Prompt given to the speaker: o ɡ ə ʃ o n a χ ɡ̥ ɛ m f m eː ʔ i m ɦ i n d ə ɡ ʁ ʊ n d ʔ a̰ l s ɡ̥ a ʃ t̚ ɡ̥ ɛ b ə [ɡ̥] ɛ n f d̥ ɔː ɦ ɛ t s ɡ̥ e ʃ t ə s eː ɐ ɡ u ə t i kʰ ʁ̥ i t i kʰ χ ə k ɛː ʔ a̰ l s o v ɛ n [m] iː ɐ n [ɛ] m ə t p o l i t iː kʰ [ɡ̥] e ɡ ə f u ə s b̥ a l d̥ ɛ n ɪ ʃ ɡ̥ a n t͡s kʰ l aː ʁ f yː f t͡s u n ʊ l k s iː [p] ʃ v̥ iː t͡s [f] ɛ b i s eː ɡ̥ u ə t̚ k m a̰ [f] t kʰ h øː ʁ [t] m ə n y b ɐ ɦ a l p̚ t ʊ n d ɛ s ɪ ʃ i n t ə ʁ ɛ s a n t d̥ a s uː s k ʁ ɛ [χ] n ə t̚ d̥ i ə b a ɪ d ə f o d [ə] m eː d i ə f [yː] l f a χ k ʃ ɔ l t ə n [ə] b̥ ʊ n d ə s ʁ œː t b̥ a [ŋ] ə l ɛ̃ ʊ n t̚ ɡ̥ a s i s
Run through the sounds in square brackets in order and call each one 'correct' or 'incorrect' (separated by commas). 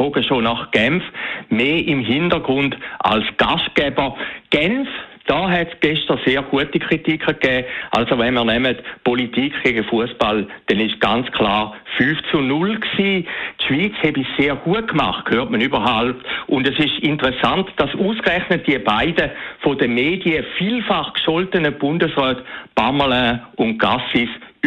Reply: correct, correct, correct, correct, incorrect, incorrect, incorrect, correct, correct, correct, incorrect, correct, incorrect